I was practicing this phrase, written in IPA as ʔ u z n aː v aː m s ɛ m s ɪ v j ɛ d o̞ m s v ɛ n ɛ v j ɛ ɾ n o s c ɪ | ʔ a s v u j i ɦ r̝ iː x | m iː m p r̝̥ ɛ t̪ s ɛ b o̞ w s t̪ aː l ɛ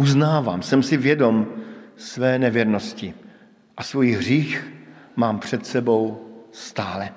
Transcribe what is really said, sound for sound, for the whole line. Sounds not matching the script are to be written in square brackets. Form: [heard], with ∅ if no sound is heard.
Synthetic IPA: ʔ u z n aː v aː m s ɛ m s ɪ v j ɛ d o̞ m s v [ɛː] n ɛ v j ɛ ɾ n o s c ɪ | ʔ a s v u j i ɦ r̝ iː x | m [aː] m p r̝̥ ɛ t̪ s ɛ b o̞ w s t̪ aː l ɛ